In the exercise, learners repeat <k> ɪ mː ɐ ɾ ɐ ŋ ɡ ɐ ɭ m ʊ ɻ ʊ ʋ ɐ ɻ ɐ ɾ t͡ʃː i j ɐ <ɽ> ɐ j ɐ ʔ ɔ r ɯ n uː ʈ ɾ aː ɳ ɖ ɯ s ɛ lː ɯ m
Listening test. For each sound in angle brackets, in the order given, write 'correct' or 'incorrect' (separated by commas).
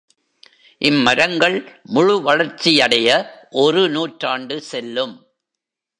incorrect, correct